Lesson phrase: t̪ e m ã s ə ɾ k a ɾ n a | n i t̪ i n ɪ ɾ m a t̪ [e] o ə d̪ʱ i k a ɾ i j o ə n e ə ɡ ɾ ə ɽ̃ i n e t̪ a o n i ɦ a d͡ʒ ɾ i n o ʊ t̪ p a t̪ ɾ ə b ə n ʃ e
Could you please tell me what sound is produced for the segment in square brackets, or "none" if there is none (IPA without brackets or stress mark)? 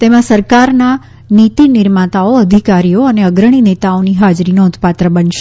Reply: a